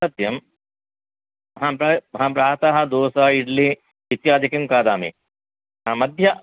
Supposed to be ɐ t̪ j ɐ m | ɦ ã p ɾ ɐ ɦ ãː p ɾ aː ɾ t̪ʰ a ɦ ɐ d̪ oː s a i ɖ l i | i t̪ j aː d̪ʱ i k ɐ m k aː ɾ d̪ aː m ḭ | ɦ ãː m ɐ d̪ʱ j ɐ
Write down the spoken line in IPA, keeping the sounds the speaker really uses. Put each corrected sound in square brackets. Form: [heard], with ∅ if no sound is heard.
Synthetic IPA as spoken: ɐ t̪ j ɐ m | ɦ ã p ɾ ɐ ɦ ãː p ɾ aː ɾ [t̪] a ɦ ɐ d̪ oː s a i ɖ l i | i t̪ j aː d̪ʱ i k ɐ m k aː [∅] d̪ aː m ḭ | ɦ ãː m ɐ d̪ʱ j ɐ